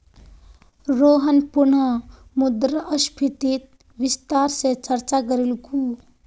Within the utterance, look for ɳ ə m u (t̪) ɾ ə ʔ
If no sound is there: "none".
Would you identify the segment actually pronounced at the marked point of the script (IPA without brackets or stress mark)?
d̪